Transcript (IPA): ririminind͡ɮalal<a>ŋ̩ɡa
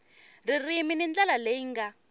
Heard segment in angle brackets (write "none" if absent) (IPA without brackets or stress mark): e